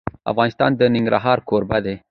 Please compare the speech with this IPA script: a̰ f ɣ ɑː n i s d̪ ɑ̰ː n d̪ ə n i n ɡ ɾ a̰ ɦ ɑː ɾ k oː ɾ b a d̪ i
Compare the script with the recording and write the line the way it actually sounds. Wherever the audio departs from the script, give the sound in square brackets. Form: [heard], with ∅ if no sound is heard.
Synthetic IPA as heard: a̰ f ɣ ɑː n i s [t̪] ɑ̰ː n d̪ ə n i [ŋ] ɡ ɾ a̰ ɦ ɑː ɾ k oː ɾ b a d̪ [e]

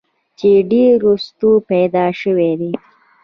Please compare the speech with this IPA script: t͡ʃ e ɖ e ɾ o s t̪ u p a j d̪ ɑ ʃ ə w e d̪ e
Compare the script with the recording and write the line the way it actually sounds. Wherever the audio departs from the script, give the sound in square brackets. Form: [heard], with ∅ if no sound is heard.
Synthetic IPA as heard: t͡ʃ e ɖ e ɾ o s t̪ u p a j d̪ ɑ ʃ ə w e d̪ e

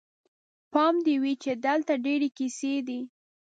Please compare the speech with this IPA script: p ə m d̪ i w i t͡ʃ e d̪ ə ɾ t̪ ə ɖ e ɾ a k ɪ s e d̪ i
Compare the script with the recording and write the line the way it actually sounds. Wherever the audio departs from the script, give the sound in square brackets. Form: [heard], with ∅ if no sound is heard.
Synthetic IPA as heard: p [ɑ] m d̪ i w i t͡ʃ e d̪ ə [l] t̪ [a] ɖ e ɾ [e] k [i] s e d̪ i

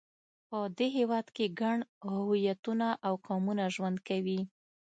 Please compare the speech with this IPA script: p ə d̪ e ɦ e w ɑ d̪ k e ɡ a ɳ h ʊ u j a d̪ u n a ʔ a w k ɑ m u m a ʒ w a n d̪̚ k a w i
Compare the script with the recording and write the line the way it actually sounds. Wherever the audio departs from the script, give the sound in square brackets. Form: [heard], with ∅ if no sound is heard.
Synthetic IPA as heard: p ə d̪ e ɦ e w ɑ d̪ k e ɡ a ɳ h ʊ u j a [t̪] u n a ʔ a w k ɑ m u [n] a ʒ w a n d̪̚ k a w i

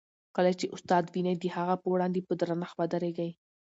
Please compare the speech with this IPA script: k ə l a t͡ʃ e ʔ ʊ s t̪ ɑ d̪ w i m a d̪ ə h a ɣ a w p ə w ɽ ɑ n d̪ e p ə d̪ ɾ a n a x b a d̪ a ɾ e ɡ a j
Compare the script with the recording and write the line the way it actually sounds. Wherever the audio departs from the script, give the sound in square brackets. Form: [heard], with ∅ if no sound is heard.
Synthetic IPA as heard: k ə l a t͡ʃ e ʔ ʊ s t̪ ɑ d̪ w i [n] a d̪ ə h a ɣ a [∅] p ə w ɽ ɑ n d̪ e p ə d̪ ɾ a n a x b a d̪ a ɾ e ɡ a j

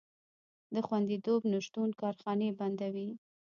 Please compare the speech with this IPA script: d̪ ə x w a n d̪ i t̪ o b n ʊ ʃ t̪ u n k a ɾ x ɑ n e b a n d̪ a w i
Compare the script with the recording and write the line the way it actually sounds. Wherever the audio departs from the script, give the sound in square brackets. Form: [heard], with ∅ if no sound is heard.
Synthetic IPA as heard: d̪ ə x w a n d̪ i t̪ o b n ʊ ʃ t̪ u n k [ɑ] ɾ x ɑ n e b a n d̪ a w i

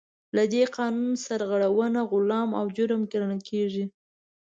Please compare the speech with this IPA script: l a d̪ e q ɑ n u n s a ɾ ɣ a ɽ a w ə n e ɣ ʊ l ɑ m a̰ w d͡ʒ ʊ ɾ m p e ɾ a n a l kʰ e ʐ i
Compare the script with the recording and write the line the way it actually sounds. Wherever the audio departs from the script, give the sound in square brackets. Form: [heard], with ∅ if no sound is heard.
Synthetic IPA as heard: l a d̪ e q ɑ n u n s a ɾ ɣ a ɽ a w ə n [a] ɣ ʊ l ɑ m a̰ w d͡ʒ ʊ ɾ m [k] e ɾ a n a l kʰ e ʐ i

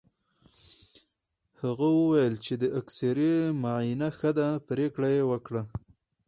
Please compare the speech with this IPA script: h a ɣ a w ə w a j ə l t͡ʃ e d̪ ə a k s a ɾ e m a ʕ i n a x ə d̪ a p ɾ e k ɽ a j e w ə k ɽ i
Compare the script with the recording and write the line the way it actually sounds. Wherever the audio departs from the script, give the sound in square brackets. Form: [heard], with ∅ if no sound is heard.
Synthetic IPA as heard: h a ɣ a w ə w a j ə l t͡ʃ e d̪ ə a k s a ɾ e m a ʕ i n a x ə d̪ a p ɾ e k ɽ a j e w ə k ɽ [a]

